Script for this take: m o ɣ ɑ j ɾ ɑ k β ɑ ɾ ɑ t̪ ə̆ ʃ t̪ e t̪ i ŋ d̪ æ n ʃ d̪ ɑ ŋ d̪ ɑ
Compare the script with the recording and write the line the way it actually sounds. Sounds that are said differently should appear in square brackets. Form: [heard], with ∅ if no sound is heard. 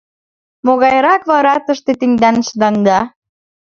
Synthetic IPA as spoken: m o ɣ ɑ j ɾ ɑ k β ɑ ɾ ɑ t̪ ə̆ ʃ t̪ e t̪ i ŋ d̪ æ n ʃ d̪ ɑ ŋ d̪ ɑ